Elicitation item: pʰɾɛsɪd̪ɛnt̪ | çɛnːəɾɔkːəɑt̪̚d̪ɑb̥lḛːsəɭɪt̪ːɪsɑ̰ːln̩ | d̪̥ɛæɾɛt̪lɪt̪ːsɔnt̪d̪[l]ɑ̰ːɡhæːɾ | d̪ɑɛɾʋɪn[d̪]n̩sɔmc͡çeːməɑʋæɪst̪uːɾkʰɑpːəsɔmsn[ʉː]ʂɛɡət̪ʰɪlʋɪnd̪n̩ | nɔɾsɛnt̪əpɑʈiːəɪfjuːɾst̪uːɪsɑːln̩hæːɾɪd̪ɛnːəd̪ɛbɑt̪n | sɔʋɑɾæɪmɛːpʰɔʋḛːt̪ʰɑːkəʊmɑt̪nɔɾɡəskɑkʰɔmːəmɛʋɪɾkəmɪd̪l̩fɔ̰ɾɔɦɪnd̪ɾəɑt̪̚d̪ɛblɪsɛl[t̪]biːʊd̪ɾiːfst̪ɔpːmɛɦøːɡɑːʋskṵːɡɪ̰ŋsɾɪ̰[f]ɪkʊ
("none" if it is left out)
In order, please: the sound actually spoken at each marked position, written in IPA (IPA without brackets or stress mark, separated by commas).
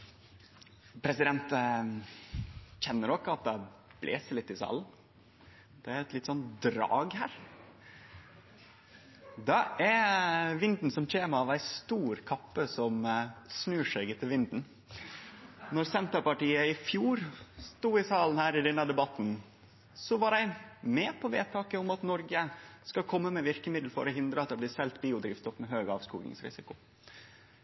ɾ, d̪, ʉː, t̪, s